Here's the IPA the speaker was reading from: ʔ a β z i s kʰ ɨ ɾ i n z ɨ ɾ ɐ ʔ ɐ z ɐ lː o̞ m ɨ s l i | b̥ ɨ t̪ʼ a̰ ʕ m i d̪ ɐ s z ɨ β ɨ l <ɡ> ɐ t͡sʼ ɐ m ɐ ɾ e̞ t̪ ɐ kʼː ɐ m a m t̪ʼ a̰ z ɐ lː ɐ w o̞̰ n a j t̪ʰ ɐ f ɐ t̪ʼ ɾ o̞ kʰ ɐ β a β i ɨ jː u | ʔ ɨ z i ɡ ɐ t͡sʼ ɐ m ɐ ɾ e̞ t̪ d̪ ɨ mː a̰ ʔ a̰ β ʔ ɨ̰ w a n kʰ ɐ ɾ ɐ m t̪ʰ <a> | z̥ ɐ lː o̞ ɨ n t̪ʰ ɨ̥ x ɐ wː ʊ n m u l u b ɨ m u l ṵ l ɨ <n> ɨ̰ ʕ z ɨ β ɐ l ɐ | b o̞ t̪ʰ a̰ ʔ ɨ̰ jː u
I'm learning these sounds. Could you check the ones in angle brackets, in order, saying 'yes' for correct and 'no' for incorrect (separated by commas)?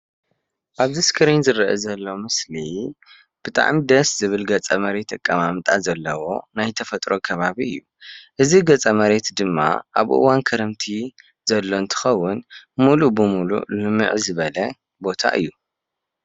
yes, no, no